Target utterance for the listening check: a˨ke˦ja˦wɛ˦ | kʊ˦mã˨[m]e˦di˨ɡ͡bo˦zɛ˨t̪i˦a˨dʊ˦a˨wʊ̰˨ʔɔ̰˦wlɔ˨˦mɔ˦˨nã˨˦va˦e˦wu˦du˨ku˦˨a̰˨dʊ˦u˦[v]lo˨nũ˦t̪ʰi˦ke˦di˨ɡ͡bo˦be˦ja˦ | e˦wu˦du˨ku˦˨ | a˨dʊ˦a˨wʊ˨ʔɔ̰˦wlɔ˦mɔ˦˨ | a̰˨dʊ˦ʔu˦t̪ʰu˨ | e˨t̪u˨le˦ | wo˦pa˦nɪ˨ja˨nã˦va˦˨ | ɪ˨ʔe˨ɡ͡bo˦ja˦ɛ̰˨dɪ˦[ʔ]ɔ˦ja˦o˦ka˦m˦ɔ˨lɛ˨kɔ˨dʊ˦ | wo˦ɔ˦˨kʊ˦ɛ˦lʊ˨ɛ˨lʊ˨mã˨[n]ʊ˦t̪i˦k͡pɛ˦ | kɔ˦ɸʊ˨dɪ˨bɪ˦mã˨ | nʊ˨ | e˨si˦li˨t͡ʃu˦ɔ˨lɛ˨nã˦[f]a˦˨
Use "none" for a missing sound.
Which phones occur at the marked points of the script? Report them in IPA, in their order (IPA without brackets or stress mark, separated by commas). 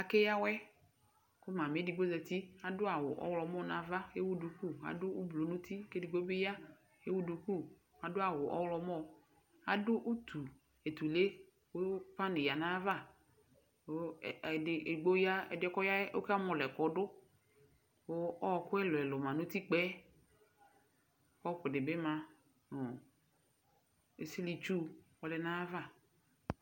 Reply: m, b, k, n, v